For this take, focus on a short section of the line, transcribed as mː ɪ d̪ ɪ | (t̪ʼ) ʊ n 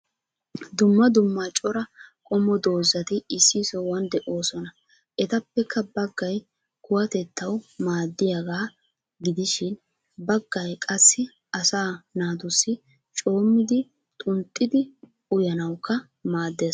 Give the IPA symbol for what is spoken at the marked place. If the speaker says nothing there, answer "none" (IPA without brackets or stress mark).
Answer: t̪ʼ